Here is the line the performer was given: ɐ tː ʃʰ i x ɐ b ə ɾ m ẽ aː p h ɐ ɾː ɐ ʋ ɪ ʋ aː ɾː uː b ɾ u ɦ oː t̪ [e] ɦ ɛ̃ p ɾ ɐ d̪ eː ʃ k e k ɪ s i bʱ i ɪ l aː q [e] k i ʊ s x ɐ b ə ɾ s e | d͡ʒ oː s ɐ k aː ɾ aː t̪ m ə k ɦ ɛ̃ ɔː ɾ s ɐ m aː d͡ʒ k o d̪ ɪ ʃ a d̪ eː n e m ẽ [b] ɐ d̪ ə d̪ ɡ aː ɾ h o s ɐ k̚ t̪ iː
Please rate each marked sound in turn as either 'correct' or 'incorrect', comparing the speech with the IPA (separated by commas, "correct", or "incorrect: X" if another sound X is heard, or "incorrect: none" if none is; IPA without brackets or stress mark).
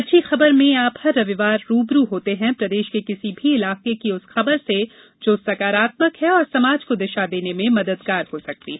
correct, correct, incorrect: m